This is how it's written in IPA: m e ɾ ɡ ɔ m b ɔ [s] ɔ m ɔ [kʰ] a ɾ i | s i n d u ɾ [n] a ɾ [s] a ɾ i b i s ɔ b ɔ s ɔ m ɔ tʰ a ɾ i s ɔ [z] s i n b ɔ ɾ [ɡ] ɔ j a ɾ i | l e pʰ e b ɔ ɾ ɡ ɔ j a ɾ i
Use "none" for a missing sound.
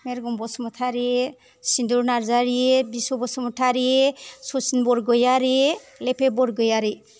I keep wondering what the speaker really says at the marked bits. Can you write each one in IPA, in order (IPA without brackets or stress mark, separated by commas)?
s, tʰ, n, z, none, ɡ